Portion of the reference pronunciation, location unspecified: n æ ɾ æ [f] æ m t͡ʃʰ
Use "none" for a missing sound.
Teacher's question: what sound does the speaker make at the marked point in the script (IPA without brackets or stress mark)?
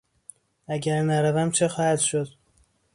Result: v